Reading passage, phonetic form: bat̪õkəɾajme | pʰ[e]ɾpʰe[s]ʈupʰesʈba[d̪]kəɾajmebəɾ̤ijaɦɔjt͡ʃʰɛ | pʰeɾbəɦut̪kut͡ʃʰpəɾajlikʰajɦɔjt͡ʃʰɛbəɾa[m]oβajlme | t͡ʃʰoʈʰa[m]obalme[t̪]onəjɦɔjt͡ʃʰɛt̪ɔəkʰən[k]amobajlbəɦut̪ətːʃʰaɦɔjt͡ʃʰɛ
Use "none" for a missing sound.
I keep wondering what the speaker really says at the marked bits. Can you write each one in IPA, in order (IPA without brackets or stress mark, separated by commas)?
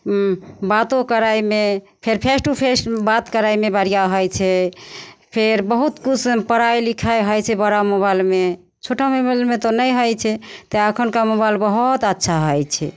e, s, t̪, m, m, t̪, k